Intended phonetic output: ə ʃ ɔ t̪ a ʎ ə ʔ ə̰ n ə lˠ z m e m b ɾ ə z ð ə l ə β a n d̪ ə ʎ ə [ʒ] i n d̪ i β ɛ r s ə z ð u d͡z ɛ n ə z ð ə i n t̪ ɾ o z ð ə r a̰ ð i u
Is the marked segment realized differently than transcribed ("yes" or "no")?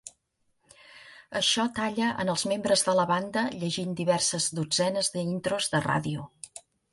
no